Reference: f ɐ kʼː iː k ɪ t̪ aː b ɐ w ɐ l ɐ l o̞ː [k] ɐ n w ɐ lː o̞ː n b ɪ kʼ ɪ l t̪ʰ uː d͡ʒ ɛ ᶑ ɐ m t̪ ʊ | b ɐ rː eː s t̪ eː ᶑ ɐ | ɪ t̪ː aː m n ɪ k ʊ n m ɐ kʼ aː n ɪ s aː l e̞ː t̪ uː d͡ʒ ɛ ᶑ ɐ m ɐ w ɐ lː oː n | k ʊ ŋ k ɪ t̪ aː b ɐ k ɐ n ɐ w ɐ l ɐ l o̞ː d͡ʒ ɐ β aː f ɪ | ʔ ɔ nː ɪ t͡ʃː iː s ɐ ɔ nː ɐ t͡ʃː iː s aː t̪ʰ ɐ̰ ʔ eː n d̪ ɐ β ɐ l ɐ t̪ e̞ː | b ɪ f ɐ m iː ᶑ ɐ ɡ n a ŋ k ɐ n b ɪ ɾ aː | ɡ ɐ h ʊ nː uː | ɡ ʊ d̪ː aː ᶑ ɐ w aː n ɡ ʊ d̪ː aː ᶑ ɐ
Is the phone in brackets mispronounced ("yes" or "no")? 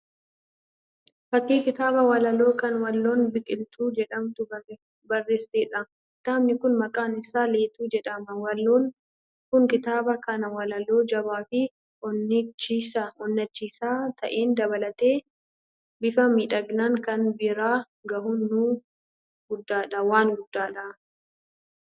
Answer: no